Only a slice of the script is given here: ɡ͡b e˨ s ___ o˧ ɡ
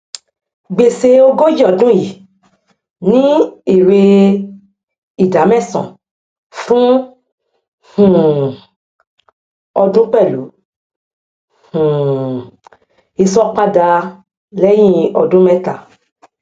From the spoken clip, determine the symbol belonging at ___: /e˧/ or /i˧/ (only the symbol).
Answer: e˧